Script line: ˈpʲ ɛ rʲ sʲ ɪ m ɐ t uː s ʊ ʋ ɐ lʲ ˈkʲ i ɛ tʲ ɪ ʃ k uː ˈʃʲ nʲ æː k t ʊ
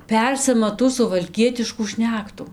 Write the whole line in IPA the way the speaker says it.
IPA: ˈpʲ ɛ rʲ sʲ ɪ m ɐ t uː s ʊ ʋ ɐ lʲ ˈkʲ i ɛ tʲ ɪ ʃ k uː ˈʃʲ nʲ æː k t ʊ